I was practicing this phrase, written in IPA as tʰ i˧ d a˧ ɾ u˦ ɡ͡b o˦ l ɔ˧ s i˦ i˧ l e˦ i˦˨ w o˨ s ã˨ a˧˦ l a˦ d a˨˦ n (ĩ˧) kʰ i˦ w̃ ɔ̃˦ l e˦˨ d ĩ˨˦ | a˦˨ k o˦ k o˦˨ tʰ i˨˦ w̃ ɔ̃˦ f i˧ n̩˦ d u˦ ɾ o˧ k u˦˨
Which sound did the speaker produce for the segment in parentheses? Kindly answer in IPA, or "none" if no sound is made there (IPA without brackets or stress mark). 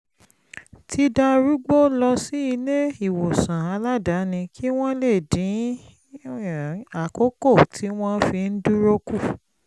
ĩ˧